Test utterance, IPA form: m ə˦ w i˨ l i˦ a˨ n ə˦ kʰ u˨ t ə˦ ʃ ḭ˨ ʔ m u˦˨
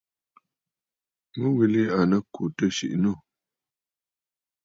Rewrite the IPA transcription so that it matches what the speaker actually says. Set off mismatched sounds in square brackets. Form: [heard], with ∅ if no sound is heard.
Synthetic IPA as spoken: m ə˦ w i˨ l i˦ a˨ n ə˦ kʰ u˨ t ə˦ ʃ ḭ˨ ʔ [n] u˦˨